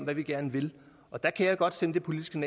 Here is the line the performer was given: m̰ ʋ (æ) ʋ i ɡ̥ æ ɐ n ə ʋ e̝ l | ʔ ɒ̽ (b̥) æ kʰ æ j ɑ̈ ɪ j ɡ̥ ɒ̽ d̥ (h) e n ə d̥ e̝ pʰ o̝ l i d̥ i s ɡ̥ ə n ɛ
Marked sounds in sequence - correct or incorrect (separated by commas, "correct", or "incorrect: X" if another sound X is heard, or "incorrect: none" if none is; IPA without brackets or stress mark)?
correct, incorrect: d̥, incorrect: s